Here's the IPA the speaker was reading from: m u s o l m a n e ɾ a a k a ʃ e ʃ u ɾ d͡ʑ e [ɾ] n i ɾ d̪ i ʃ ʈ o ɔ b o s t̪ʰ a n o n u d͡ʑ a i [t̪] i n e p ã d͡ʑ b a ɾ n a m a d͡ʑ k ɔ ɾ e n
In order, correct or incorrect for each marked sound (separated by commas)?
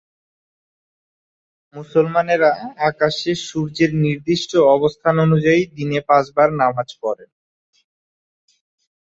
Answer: correct, incorrect